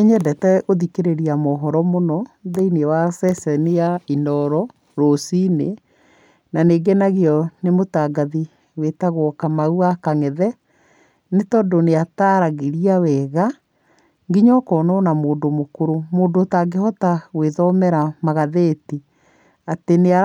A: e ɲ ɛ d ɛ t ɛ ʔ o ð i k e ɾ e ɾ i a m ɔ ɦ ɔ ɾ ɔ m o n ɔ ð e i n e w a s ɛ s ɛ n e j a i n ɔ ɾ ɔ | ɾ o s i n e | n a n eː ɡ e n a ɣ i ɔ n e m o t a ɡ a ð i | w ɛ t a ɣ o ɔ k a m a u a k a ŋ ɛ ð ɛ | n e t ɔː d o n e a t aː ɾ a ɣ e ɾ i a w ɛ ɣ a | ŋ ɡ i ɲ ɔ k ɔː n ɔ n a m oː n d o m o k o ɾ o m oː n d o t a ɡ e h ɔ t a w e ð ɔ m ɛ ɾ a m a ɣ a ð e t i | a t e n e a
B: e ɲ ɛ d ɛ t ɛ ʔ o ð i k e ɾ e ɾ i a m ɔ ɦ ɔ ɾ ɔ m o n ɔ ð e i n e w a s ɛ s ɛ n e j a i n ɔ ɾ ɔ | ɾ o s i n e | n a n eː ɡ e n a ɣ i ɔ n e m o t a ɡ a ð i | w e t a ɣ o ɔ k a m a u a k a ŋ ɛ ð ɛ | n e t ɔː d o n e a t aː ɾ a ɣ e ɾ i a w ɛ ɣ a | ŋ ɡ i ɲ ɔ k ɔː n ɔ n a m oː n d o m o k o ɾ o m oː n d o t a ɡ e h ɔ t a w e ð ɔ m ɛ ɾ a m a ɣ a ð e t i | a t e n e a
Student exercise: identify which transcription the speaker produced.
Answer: B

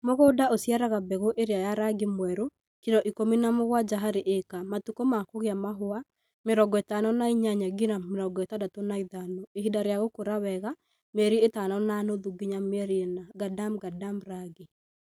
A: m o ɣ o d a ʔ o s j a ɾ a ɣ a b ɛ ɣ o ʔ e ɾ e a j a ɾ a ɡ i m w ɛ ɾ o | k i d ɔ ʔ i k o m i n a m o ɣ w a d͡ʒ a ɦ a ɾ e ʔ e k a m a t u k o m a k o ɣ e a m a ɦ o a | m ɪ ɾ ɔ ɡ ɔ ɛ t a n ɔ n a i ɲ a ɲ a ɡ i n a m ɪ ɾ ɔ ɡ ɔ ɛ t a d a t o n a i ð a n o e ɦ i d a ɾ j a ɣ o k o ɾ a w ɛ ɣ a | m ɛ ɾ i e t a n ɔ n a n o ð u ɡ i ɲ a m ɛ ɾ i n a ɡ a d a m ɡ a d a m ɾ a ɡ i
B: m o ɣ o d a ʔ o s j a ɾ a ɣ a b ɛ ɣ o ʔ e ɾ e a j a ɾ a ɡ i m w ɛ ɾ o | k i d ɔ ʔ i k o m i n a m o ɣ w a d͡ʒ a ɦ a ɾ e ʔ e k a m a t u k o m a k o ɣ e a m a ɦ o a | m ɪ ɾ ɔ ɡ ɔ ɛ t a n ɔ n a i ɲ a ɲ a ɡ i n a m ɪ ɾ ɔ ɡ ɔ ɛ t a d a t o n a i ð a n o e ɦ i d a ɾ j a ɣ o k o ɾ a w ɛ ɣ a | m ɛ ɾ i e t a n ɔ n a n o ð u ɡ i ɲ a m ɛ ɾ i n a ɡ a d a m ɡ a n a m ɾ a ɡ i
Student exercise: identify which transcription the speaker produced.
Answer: A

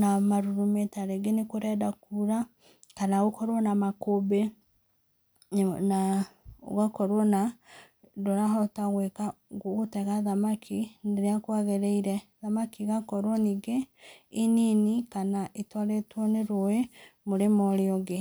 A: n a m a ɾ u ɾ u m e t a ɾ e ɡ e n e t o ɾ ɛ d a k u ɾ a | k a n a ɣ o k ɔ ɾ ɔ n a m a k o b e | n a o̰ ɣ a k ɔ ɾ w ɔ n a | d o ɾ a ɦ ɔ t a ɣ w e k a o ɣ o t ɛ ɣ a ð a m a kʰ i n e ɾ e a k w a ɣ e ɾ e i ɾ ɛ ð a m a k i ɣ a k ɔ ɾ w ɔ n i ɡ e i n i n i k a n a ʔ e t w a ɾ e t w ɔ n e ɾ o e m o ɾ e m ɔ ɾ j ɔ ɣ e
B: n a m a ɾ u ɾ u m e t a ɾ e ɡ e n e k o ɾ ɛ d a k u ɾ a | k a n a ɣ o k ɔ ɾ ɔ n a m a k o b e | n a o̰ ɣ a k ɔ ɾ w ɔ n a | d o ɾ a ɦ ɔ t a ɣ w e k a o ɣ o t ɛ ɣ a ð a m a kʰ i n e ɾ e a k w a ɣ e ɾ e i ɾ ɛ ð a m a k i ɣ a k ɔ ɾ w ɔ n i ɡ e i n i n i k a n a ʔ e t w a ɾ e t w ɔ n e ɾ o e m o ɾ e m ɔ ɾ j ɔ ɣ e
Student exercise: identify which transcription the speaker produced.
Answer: B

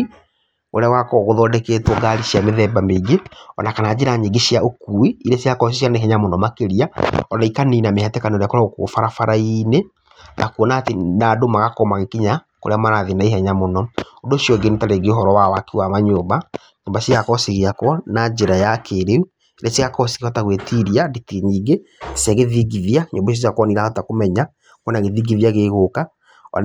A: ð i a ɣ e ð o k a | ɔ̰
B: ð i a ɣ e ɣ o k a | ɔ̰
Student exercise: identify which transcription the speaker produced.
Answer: B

